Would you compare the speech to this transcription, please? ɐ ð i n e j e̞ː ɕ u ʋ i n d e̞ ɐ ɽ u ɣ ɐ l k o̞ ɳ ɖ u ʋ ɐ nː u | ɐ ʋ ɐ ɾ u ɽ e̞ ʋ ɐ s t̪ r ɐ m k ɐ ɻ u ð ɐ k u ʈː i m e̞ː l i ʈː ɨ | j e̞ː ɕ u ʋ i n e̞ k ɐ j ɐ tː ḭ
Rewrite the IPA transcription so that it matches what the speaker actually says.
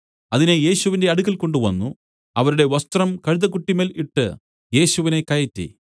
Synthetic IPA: ɐ ð i n e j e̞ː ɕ u ʋ i n d e̞ ɐ ɽ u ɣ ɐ l k o̞ ɳ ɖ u ʋ ɐ nː u | ɐ ʋ ɐ ɾ u ɽ e̞ ʋ ɐ s t̪ r ɐ m k ɐ ɻ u ð ɐ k u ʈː i m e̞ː l i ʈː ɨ | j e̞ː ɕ u ʋ i n e̞ k ɐ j ɐ tː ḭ